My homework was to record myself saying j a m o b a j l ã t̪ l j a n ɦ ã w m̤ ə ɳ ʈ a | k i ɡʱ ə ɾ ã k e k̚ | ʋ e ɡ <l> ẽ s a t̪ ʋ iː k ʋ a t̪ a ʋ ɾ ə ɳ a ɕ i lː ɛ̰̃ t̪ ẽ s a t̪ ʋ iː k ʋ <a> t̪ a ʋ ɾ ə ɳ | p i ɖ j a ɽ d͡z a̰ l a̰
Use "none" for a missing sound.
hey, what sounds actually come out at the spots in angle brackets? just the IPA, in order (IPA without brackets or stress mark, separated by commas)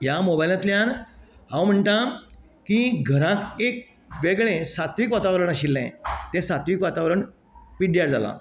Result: ɭ, a